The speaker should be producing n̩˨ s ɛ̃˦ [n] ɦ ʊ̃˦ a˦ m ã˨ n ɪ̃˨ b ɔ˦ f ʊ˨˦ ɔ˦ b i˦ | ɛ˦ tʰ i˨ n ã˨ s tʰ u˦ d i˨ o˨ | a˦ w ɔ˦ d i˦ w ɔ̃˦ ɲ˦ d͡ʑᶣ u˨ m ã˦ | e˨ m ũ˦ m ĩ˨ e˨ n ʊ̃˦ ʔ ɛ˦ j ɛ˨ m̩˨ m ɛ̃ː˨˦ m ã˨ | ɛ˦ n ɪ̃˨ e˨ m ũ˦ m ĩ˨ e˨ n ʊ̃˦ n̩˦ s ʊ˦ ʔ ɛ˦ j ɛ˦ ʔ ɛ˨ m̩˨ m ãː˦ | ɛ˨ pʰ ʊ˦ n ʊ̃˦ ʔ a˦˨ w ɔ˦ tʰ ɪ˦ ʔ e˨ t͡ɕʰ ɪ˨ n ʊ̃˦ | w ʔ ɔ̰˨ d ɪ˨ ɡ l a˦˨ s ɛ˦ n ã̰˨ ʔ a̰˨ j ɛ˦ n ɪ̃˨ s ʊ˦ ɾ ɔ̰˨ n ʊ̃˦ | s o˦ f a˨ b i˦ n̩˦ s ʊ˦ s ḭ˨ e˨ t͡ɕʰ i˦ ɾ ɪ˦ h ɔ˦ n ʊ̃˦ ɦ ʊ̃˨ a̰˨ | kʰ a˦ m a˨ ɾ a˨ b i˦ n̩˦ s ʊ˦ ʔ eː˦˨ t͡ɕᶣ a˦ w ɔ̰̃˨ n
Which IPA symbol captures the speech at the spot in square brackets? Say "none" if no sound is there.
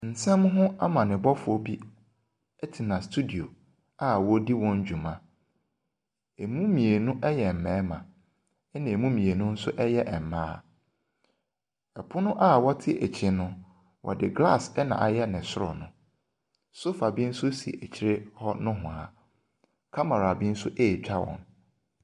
m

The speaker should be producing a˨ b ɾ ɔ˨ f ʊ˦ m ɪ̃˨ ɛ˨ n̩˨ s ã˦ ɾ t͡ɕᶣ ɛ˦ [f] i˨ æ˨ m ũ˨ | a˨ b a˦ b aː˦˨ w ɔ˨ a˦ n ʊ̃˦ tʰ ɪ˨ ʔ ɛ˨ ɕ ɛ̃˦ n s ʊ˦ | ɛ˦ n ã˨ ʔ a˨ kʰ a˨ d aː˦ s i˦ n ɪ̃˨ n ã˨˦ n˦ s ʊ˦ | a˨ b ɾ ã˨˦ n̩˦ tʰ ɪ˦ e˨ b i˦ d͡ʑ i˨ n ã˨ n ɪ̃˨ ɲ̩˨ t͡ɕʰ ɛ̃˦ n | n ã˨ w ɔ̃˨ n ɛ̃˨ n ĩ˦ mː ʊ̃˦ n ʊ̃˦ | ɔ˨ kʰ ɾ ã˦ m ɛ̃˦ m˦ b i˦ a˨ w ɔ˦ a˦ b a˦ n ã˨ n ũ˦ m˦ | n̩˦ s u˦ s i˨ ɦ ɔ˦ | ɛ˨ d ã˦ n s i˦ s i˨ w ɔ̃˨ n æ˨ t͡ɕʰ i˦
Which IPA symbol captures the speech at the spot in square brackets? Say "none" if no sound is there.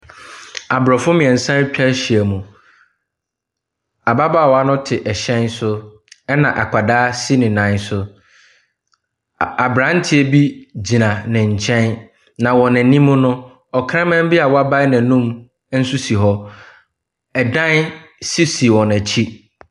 ɕ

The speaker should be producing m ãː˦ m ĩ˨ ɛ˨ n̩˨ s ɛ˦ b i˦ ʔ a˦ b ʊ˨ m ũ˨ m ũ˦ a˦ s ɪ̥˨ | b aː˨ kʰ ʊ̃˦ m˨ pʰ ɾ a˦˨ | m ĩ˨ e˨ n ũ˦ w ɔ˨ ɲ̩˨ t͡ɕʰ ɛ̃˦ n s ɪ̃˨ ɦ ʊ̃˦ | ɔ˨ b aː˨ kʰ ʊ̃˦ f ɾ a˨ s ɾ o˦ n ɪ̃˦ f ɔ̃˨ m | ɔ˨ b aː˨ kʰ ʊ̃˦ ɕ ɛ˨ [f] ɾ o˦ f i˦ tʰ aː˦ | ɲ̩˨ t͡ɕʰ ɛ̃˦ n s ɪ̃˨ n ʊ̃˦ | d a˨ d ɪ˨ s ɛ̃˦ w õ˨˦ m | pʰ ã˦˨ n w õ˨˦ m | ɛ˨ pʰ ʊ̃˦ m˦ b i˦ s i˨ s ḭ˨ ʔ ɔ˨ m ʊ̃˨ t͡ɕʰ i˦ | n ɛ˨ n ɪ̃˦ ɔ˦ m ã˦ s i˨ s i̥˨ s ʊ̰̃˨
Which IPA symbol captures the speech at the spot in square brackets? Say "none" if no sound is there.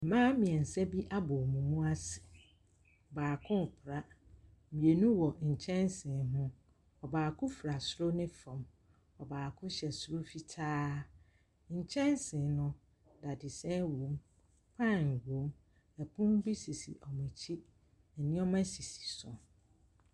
s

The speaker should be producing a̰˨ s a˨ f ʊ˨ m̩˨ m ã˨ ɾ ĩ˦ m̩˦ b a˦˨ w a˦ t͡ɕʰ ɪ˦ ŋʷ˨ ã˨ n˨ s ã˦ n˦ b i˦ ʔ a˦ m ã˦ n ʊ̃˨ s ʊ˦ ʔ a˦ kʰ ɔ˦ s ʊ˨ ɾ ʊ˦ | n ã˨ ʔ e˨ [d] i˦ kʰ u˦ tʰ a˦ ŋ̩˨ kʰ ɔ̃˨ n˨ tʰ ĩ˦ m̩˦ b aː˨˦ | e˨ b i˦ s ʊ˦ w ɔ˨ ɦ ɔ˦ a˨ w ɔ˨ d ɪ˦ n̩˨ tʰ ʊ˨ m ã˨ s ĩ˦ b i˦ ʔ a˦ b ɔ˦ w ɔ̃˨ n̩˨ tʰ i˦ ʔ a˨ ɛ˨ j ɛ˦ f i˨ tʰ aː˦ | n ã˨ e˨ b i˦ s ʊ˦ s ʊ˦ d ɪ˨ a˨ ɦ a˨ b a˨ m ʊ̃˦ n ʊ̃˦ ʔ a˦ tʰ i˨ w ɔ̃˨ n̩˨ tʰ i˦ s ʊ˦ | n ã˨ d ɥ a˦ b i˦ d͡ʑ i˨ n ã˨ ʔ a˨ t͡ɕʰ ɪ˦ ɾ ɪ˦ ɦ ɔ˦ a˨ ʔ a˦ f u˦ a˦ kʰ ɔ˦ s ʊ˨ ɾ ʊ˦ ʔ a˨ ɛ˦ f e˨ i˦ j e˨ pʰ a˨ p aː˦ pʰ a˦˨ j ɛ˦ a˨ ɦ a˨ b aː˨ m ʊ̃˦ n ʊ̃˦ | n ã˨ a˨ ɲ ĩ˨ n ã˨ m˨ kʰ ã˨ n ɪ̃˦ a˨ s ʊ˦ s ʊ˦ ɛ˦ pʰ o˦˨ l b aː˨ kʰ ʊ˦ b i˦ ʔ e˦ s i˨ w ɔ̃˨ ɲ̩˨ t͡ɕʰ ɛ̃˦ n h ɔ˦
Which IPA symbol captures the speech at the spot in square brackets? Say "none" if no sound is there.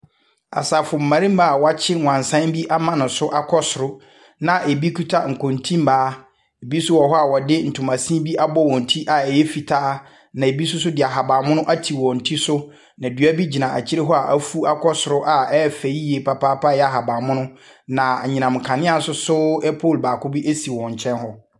b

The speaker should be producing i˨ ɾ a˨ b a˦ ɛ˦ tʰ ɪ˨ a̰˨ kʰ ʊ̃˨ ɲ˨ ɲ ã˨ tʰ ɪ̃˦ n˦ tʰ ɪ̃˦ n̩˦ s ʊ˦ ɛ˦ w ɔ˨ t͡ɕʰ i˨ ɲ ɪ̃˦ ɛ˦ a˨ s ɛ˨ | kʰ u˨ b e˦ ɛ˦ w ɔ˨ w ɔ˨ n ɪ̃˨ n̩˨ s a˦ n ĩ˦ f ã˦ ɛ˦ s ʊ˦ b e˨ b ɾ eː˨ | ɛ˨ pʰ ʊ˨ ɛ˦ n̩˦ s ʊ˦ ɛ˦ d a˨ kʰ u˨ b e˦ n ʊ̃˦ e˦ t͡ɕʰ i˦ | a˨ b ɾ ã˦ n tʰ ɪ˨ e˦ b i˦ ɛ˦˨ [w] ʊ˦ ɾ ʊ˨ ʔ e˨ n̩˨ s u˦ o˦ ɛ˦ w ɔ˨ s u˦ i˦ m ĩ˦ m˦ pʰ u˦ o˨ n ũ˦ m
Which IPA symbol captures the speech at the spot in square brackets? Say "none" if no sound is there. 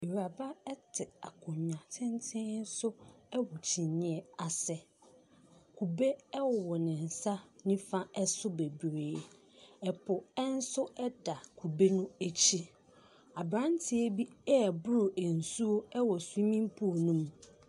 b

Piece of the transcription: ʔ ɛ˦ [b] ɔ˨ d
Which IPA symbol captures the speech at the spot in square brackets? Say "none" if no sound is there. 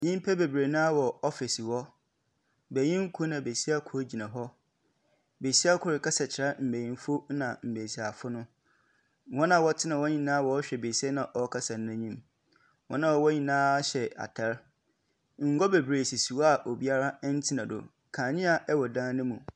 w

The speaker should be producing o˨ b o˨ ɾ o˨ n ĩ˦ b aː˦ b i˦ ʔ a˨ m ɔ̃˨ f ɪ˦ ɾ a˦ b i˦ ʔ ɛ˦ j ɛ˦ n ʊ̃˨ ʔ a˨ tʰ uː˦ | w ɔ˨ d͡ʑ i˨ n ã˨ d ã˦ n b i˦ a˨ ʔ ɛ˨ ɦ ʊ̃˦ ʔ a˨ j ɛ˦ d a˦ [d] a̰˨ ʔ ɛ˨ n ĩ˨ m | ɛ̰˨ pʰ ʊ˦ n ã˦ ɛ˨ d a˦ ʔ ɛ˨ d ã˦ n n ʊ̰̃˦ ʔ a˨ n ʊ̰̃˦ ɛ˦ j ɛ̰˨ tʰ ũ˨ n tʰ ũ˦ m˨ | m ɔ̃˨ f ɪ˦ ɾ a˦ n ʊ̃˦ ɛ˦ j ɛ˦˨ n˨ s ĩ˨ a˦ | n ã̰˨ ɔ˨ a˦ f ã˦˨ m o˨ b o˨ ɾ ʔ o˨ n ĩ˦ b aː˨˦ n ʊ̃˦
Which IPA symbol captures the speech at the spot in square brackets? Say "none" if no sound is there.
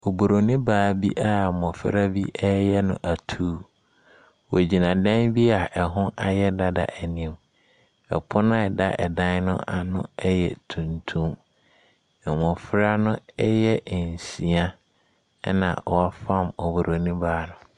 d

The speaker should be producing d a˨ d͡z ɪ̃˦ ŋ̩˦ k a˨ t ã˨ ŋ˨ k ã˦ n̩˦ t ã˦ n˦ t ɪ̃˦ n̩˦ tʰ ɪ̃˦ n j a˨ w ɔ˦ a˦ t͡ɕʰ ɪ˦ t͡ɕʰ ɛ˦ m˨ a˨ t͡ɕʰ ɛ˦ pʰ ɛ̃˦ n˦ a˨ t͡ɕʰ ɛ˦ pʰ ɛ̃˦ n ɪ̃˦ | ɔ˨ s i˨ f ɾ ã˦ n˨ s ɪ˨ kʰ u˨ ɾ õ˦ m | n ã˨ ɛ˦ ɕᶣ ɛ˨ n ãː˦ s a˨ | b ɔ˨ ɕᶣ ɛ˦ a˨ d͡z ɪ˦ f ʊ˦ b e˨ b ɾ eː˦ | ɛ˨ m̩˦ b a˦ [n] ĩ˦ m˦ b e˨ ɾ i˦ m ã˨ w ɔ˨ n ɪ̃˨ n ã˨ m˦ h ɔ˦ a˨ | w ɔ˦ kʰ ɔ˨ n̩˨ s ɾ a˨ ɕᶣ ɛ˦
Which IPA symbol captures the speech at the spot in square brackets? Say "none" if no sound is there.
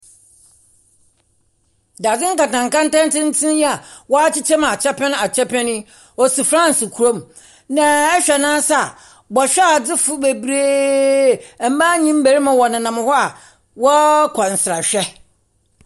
ɲ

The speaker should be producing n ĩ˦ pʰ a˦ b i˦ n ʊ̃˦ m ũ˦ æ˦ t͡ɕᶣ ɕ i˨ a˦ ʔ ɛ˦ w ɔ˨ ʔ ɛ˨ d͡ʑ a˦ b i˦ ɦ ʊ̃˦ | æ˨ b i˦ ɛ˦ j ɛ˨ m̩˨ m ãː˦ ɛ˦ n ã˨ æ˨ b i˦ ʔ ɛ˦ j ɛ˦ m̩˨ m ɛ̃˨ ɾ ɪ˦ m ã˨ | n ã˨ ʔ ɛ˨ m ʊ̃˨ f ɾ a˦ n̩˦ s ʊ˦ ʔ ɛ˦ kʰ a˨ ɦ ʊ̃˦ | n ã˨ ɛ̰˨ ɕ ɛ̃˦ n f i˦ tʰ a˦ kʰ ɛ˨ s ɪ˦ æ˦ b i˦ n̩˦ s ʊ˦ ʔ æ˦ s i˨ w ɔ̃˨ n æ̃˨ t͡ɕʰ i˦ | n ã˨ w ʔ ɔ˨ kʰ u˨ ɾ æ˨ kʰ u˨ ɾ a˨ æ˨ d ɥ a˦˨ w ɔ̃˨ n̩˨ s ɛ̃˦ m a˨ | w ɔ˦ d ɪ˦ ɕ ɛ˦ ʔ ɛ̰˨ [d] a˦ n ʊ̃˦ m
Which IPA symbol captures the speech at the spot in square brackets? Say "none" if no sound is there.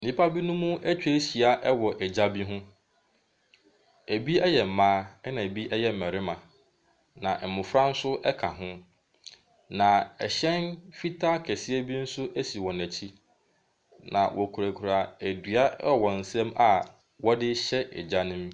d͡ʑ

